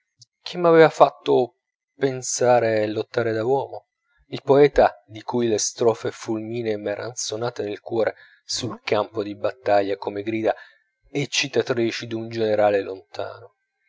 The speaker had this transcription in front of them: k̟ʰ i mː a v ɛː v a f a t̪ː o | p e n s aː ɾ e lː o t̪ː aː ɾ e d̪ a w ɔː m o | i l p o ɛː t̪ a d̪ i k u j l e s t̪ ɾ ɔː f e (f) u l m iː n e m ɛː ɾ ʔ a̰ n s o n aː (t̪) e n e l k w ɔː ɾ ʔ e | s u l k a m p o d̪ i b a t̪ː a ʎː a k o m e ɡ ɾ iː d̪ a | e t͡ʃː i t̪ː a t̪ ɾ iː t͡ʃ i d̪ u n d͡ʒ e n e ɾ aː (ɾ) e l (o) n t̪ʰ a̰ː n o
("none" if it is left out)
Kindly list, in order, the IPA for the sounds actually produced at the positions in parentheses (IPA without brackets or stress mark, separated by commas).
f, t̪, l, o